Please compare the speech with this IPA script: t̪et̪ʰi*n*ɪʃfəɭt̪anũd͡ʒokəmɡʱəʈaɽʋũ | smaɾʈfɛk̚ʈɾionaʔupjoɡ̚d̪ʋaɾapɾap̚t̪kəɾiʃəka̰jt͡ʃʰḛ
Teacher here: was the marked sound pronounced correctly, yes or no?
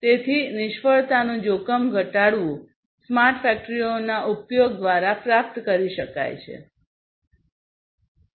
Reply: yes